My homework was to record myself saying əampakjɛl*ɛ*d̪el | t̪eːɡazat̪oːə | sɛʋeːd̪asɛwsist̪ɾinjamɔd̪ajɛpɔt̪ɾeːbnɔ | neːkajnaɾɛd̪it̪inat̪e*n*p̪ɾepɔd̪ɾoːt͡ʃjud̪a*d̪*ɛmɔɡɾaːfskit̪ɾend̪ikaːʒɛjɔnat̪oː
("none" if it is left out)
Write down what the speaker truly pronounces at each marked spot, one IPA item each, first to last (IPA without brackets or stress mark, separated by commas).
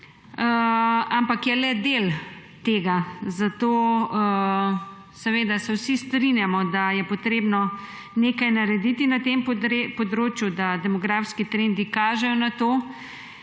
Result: ɛ, m, d̪